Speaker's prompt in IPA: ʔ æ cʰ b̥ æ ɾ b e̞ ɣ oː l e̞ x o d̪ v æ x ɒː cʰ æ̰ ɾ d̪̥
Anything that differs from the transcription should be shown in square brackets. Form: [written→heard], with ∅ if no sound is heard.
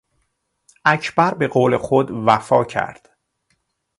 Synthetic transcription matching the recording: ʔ æ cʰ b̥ æ ɾ b e̞ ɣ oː l e̞ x o d̪ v æ [x→f] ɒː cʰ æ̰ ɾ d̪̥

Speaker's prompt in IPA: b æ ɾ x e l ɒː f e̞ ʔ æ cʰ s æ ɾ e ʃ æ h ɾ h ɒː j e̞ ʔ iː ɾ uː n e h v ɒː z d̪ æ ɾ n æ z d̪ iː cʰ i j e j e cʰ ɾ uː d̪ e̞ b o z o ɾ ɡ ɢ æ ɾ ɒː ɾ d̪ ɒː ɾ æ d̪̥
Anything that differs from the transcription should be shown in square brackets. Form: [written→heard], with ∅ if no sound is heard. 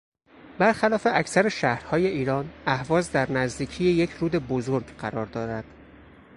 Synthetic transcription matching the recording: b æ ɾ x [e→æ] l ɒː f e̞ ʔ æ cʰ s æ ɾ e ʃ æ h ɾ h ɒː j e̞ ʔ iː ɾ [uː→ɒː] n [e→æ] h v ɒː z d̪ æ ɾ n æ z d̪ iː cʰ i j e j e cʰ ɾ uː d̪ e̞ b o z o ɾ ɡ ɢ æ ɾ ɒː ɾ d̪ ɒː ɾ æ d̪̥

